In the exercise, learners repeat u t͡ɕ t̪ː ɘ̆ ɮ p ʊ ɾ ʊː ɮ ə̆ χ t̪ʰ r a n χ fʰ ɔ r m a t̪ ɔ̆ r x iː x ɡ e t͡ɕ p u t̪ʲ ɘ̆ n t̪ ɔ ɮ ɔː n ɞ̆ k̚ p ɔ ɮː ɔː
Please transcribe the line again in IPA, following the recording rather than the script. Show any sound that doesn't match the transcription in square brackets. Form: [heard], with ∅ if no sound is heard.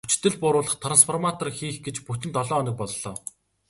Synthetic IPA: u t͡ɕ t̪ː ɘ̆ ɮ p ʊ ɾ ʊː ɮ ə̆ χ t̪ʰ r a n [s] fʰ ɔ r m a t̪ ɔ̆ r x iː x ɡ e t͡ɕ p u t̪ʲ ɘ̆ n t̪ ɔ ɮ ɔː n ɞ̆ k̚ p ɔ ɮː ɔː